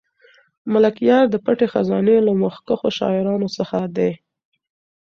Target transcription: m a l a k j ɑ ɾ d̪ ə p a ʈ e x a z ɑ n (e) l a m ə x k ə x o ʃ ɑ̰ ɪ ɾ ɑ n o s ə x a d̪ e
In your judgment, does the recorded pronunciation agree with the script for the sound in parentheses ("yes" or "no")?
yes